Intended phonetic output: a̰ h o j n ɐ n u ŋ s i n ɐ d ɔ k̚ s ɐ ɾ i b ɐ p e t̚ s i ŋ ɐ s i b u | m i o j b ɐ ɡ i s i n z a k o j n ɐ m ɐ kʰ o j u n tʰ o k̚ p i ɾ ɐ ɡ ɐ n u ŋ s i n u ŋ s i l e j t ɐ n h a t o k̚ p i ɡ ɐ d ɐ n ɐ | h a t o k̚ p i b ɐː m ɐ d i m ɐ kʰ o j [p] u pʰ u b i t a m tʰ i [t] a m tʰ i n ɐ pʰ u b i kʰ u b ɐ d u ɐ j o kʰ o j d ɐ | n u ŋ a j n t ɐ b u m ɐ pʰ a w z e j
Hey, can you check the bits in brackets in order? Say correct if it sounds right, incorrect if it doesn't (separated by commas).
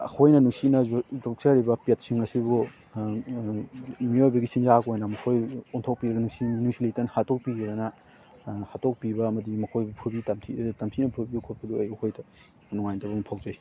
incorrect, correct